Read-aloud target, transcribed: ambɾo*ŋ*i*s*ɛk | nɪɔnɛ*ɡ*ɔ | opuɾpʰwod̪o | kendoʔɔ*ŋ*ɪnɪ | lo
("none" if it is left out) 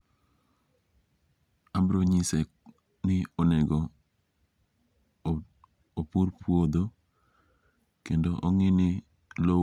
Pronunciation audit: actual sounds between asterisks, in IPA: ɲ, s, ɡ, ŋ

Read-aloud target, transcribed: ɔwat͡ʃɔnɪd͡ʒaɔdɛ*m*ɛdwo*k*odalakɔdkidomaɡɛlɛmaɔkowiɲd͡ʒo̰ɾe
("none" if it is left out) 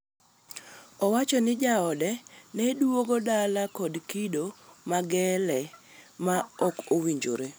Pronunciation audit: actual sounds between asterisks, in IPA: n, ɡ

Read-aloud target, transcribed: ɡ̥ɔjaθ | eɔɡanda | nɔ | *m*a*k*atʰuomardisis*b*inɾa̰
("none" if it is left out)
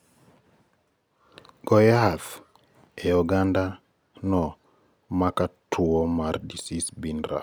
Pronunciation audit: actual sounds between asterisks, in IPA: m, k, b

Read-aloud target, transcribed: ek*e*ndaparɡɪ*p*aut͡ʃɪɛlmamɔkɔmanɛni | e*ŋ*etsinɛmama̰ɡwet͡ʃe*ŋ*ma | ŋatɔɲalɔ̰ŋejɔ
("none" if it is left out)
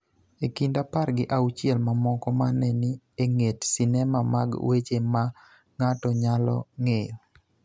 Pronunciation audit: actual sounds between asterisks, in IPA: i, ʔ, ŋ, none

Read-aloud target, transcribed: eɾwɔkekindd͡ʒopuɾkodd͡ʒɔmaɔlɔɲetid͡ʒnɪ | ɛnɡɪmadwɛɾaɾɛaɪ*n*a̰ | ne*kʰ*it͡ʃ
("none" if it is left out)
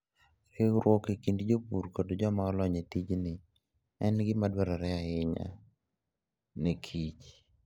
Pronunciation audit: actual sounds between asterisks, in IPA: ɲ, kʰ

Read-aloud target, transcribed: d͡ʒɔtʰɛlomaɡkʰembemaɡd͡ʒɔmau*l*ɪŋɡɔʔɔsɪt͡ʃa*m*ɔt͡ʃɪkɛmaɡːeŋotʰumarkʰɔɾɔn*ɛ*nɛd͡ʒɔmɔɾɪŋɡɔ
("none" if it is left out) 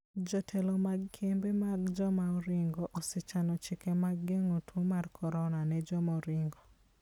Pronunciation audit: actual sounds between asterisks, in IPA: ɾ, n, a

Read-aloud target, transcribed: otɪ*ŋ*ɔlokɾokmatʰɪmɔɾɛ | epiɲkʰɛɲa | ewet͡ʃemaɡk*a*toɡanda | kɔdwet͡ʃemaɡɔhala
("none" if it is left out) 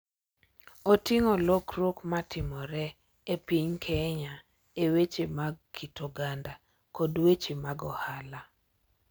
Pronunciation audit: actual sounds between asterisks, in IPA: ŋ, i

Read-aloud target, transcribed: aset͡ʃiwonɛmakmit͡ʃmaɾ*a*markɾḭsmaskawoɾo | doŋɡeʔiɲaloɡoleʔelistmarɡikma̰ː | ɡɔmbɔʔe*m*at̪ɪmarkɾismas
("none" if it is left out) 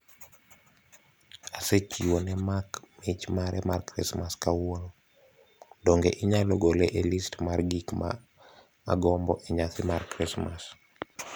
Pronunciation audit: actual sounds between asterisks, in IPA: ɛ, ɲ

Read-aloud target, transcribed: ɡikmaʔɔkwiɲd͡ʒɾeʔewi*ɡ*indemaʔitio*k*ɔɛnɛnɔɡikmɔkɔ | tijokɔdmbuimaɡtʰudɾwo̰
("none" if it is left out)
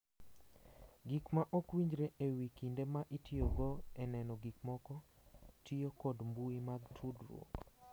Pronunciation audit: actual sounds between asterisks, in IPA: k, ɡ

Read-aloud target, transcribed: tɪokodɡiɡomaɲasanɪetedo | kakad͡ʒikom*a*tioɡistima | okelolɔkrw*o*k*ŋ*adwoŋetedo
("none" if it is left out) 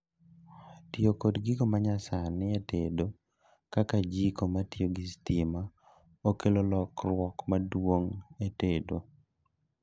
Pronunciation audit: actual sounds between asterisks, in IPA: a, ɔ, m

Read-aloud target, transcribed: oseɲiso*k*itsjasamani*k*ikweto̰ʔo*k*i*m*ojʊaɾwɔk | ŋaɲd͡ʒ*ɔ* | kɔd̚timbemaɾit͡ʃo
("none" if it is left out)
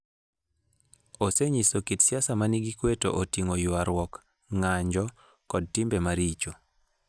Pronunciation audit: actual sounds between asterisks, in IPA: k, ɡ, t, ŋ, ɔ

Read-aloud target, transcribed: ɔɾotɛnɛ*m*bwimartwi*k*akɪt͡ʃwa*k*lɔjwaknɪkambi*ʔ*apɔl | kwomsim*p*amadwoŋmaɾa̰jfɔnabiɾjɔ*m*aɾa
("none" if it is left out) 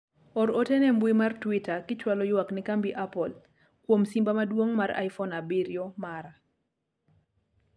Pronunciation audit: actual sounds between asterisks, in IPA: m, t, none, ʔ, b, m

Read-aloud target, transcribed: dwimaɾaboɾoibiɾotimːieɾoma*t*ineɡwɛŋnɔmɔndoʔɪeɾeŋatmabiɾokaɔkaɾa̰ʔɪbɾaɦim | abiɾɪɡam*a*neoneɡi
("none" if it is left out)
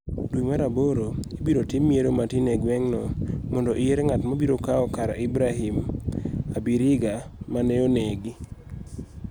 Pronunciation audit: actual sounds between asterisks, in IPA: t, a

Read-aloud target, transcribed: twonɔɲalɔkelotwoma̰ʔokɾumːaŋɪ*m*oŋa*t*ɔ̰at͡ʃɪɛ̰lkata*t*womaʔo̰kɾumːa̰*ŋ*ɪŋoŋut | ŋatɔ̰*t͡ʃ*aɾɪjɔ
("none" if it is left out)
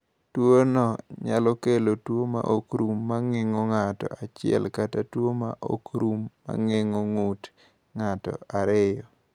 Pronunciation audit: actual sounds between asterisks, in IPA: ŋ, t, t, ŋ, none

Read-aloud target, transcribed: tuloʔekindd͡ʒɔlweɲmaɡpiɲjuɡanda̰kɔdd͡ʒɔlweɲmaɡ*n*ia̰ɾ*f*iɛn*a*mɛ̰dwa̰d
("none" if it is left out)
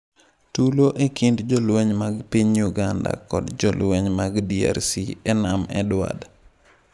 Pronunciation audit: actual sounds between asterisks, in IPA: d, s, a

